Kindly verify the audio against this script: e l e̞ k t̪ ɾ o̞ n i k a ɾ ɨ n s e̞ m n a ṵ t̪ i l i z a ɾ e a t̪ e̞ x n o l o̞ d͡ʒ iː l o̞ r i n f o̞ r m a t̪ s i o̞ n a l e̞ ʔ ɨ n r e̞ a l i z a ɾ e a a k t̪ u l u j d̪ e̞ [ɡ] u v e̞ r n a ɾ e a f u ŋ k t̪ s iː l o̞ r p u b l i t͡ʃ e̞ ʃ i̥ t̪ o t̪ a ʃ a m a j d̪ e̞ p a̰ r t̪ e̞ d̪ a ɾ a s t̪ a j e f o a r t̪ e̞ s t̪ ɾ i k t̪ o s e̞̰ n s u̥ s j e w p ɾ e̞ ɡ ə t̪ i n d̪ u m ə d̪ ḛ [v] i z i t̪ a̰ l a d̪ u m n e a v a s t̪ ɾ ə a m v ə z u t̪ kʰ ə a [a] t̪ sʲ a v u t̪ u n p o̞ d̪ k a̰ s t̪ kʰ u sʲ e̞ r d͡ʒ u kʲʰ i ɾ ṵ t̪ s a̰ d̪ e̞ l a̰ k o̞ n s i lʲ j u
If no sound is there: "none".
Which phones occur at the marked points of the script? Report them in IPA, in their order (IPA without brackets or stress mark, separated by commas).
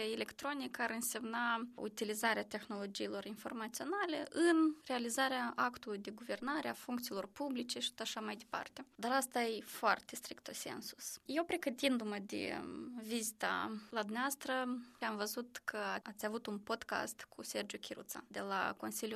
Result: ɡ, v, a